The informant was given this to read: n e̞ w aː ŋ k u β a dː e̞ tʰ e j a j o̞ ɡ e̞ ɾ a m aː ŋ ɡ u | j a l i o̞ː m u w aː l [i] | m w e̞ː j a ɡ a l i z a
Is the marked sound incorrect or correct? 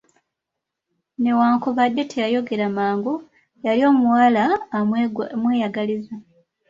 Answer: incorrect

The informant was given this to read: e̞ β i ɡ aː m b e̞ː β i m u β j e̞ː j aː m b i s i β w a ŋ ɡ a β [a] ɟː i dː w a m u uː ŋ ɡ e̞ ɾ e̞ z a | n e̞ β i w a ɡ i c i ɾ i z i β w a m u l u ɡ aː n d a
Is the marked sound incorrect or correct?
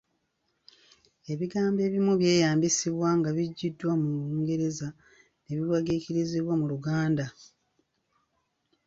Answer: incorrect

